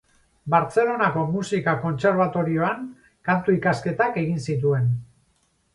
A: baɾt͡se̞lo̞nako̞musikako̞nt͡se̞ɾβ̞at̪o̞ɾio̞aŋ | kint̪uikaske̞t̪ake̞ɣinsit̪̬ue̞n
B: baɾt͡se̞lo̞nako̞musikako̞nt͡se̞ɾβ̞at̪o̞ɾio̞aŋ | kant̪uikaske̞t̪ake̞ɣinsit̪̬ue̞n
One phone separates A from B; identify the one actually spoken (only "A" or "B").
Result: B